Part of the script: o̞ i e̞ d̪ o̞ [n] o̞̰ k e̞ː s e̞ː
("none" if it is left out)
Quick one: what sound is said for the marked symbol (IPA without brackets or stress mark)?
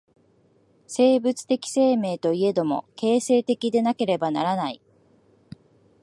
m